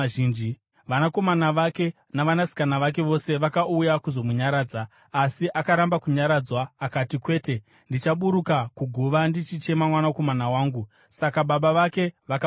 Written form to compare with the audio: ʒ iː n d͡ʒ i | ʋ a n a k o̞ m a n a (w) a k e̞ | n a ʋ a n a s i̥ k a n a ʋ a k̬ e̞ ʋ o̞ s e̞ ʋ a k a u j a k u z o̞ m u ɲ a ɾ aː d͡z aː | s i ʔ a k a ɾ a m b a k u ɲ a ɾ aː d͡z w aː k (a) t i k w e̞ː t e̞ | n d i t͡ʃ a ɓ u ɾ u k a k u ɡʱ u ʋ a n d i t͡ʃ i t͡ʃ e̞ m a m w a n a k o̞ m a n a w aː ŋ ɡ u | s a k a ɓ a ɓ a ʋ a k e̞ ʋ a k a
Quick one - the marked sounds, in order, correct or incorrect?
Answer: incorrect: ʋ, correct

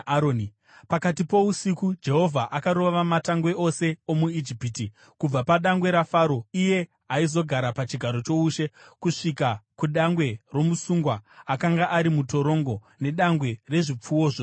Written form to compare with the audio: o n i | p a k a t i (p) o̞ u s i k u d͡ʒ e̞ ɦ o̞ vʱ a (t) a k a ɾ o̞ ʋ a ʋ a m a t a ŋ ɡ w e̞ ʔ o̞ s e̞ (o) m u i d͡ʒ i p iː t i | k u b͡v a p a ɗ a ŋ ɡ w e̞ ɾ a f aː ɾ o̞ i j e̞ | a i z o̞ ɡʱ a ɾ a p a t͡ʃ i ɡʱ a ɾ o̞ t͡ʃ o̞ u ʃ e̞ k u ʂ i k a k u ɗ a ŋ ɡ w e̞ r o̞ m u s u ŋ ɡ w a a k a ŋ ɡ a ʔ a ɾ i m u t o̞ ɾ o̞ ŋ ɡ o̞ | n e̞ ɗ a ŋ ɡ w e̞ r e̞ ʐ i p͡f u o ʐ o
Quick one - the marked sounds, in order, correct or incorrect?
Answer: correct, incorrect: ʔ, correct

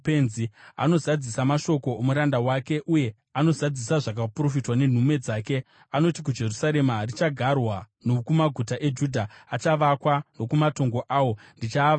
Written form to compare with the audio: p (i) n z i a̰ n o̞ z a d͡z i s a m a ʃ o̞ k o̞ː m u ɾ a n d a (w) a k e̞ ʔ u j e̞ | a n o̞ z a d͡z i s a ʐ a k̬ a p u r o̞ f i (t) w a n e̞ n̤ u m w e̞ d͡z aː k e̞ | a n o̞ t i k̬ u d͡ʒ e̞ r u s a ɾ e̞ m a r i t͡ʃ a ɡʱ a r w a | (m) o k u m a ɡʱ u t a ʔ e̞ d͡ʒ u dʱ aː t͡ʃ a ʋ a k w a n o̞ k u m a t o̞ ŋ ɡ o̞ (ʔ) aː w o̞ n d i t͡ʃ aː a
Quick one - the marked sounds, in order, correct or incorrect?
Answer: incorrect: e, correct, correct, incorrect: n, correct

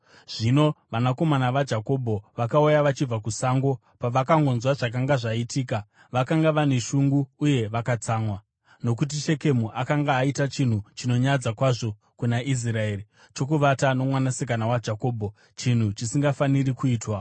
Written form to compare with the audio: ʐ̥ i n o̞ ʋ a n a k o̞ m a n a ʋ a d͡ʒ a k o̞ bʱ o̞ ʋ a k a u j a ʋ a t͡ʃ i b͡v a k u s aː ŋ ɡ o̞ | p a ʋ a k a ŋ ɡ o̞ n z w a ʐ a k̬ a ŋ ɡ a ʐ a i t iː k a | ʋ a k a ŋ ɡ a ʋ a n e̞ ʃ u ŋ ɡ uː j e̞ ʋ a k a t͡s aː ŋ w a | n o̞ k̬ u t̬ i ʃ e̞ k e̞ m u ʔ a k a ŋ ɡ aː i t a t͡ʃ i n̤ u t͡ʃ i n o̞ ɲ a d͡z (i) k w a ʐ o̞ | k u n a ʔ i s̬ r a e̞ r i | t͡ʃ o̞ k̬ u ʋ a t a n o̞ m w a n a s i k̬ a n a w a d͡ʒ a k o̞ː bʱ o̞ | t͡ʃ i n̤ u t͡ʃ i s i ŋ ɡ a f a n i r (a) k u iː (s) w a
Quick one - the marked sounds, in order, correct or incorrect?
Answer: incorrect: a, incorrect: i, incorrect: t

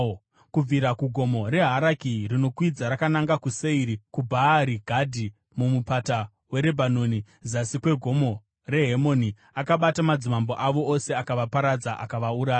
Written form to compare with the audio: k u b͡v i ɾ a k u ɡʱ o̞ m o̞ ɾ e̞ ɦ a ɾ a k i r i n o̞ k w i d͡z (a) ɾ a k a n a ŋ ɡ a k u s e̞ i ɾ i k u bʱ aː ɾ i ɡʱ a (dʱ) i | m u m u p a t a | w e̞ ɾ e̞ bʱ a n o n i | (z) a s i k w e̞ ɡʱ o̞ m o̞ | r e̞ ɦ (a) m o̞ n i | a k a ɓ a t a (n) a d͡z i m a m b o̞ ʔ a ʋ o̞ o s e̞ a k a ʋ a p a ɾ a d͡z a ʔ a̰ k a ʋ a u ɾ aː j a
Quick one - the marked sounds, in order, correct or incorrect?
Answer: correct, correct, correct, incorrect: e, incorrect: m

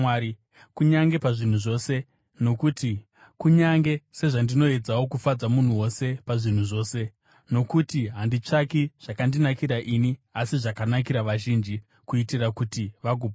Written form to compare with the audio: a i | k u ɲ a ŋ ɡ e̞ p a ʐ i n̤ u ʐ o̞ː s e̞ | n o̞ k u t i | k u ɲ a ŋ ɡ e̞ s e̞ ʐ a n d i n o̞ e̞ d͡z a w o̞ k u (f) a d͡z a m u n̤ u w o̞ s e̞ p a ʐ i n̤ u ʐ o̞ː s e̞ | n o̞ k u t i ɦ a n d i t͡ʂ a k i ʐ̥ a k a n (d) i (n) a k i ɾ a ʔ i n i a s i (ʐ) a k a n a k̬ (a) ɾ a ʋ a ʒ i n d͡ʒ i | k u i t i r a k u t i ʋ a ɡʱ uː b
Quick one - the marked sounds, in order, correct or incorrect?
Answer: correct, correct, correct, correct, incorrect: i

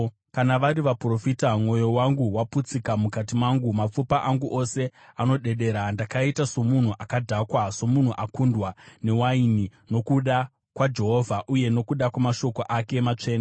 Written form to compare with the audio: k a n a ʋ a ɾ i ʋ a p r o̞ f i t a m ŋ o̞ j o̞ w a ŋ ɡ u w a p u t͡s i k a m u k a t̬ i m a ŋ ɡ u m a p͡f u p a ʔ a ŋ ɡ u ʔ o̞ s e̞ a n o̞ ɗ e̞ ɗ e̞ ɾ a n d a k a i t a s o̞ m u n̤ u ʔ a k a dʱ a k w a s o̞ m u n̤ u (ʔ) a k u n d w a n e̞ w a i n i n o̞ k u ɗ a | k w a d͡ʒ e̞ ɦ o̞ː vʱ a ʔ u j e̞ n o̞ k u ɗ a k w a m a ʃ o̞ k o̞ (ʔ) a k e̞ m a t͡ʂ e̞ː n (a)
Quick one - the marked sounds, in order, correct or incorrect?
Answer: correct, correct, correct

